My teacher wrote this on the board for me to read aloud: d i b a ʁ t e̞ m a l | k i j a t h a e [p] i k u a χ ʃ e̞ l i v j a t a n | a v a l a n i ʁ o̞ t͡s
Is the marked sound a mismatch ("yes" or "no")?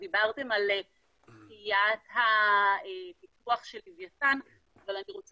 no